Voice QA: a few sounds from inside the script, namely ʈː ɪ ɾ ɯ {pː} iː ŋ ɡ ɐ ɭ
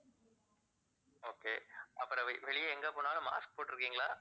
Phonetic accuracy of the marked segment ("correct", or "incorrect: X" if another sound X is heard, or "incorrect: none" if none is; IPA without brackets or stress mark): incorrect: kː